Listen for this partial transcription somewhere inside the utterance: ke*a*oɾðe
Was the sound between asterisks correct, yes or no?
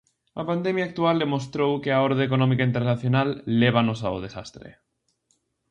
yes